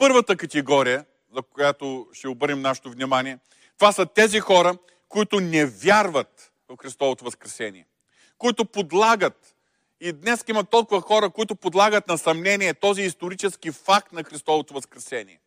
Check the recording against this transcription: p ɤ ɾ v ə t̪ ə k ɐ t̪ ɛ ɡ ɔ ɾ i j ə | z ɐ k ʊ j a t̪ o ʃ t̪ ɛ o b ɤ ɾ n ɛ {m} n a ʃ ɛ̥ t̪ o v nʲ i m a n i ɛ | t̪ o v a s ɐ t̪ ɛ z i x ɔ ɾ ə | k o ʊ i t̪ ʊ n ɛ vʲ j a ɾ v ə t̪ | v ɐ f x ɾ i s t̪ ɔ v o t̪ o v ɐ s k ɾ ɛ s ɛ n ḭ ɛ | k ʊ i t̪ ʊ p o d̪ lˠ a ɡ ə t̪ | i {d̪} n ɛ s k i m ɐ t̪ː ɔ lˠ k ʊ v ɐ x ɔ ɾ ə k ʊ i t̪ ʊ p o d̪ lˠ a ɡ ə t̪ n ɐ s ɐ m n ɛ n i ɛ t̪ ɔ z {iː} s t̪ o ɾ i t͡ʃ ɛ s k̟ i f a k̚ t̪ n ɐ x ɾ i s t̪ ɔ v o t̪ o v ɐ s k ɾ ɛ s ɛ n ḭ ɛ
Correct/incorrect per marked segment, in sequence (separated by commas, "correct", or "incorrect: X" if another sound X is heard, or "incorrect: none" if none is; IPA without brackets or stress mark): correct, correct, correct